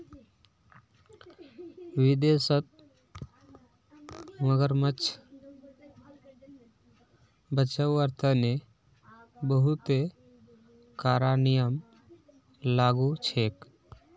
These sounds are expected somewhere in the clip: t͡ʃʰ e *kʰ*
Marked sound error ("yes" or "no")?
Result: yes